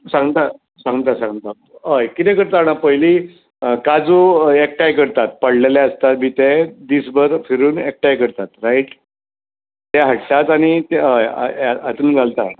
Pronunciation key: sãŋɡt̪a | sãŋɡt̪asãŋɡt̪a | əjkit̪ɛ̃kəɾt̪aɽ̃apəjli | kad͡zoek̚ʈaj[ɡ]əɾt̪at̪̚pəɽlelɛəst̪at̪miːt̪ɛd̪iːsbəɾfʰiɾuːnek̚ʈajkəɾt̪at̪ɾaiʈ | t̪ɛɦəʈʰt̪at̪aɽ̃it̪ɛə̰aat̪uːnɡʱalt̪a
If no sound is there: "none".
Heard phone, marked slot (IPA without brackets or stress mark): k